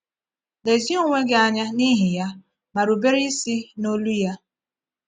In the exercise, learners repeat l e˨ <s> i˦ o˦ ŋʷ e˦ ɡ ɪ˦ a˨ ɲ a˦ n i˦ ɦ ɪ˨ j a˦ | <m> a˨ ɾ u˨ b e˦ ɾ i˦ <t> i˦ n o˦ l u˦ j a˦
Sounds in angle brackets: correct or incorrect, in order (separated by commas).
incorrect, correct, incorrect